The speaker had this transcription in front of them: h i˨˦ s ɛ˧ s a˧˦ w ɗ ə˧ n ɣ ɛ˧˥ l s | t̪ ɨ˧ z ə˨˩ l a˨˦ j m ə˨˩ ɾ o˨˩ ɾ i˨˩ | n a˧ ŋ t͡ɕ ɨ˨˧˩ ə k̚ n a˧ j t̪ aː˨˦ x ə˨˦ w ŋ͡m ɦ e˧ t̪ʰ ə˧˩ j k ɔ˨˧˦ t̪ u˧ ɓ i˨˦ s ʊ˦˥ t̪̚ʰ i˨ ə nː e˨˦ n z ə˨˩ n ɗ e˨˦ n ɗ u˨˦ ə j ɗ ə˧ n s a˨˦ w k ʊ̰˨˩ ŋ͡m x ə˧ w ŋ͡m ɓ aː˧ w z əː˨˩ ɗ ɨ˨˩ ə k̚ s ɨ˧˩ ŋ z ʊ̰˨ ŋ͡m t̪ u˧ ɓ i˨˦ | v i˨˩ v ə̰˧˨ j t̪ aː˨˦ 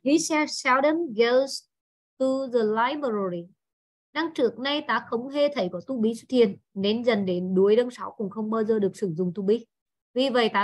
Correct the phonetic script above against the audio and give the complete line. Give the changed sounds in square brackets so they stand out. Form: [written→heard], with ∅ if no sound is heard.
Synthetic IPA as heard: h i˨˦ s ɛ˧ s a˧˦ w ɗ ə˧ n ɣ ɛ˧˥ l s | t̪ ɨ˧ z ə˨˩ l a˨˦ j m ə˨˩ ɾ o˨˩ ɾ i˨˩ | n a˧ ŋ t͡ɕ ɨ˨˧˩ ə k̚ n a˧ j t̪ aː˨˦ x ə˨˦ w ŋ͡m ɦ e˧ t̪ʰ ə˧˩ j k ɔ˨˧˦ t̪ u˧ ɓ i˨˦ s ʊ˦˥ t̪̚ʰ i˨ ə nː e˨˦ n z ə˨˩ n ɗ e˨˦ n ɗ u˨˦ ə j ɗ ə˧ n s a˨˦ w k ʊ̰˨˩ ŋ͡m x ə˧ w ŋ͡m ɓ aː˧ w z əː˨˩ ɗ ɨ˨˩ ə k̚ s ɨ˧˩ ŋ z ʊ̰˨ ŋ͡m t̪ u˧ ɓ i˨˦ | v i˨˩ v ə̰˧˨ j t̪ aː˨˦

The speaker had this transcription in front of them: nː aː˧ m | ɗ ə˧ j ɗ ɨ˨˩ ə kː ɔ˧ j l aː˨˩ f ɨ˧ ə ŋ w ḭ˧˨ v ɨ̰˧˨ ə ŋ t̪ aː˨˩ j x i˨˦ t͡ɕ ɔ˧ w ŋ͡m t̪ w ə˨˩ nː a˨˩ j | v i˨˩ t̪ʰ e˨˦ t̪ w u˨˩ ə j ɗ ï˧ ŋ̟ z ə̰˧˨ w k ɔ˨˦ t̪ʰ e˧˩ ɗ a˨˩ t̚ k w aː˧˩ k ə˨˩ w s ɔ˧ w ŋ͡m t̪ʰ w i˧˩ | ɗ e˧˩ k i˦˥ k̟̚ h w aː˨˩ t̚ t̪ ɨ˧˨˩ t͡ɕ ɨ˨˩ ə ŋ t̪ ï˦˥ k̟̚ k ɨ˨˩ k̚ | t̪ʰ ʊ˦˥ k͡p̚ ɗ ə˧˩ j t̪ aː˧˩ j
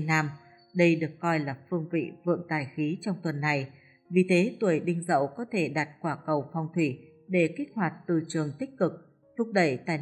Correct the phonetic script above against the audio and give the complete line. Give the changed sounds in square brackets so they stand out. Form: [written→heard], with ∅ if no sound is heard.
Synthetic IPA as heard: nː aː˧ m | ɗ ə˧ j ɗ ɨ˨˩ ə kː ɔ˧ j l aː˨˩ f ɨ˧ ə ŋ [w→v] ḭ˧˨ v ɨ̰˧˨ ə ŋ t̪ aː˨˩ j x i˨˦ t͡ɕ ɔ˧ w ŋ͡m t̪ w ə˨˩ nː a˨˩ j | v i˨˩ t̪ʰ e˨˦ t̪ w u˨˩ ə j ɗ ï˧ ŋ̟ z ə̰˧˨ w k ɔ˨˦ t̪ʰ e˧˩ ɗ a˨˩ t̚ k w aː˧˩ k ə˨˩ w [s→f] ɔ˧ w ŋ͡m t̪ʰ w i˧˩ | ɗ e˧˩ k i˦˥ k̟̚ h w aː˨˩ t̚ t̪ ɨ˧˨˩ t͡ɕ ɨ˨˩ ə ŋ t̪ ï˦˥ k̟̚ k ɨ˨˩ k̚ | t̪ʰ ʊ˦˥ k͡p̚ ɗ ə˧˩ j t̪ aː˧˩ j

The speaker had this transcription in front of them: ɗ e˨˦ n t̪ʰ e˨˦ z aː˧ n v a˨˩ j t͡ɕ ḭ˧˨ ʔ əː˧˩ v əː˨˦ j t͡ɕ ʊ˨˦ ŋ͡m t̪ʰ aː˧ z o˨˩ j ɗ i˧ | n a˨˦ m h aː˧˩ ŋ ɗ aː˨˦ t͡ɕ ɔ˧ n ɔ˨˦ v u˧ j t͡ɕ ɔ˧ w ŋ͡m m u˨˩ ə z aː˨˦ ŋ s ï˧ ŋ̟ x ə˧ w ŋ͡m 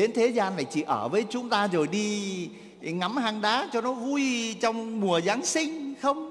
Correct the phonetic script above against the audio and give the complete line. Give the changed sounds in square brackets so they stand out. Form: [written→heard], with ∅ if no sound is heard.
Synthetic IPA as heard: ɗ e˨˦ n t̪ʰ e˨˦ z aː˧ n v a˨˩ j t͡ɕ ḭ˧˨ ʔ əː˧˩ v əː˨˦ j t͡ɕ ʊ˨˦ ŋ͡m [t̪ʰ→t̪] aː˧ z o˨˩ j ɗ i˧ | [n→ŋ] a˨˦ m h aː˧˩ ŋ ɗ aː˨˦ t͡ɕ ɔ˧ n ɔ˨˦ v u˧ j t͡ɕ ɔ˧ w ŋ͡m m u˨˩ ə z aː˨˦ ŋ s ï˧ ŋ̟ x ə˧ w ŋ͡m

